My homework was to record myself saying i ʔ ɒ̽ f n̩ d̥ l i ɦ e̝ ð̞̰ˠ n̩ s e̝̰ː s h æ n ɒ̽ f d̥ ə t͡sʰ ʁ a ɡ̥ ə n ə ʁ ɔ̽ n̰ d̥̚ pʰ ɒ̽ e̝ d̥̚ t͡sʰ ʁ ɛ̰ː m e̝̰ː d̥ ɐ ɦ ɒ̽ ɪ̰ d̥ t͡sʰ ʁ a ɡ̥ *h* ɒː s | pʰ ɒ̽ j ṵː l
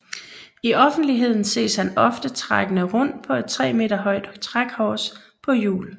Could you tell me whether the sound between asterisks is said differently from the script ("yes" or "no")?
no